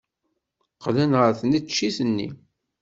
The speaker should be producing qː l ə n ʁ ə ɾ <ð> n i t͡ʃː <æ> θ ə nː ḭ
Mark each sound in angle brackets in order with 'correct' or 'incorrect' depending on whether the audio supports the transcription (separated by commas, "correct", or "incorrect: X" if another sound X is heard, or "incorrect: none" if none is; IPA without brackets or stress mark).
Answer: incorrect: θ, incorrect: i